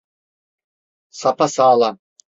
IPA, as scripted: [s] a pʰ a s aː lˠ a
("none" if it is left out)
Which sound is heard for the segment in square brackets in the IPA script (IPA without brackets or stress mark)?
s